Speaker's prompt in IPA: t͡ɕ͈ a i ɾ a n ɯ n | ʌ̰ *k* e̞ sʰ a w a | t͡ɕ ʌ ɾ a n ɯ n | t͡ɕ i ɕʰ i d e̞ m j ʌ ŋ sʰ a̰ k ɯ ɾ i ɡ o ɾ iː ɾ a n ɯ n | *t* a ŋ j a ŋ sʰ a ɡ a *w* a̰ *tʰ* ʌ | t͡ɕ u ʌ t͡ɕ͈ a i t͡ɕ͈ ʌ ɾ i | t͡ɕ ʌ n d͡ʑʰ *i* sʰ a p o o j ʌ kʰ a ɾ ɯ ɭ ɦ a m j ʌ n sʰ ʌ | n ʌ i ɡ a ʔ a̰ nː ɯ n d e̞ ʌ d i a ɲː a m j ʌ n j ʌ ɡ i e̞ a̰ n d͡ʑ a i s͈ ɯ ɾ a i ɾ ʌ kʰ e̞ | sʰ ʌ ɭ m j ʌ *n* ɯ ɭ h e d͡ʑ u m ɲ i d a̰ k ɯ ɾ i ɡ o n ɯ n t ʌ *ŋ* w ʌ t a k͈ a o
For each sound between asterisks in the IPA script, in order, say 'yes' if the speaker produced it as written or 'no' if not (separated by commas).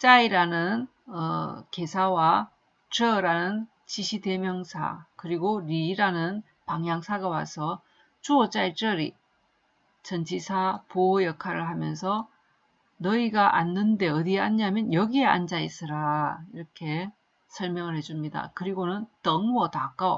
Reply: yes, no, yes, no, yes, no, yes